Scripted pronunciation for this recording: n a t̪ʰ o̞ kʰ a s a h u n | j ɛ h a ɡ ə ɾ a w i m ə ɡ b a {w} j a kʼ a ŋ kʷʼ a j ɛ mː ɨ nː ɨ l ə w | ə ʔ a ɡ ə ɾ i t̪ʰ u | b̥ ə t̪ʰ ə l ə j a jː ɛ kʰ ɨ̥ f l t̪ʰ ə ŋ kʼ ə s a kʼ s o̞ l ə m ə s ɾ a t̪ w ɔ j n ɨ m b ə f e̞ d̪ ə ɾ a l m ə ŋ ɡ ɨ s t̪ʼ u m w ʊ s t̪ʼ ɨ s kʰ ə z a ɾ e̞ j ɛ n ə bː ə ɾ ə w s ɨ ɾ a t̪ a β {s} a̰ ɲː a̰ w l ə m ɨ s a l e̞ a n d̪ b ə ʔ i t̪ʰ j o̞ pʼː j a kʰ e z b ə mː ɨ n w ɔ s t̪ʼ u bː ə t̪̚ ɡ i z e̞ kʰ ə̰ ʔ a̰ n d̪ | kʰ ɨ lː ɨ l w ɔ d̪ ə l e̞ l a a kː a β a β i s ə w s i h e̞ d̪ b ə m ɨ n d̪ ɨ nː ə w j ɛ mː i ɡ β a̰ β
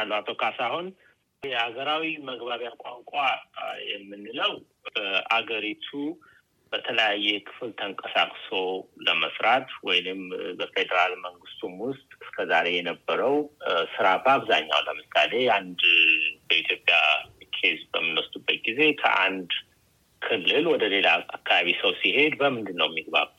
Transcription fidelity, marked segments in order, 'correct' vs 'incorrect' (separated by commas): incorrect, incorrect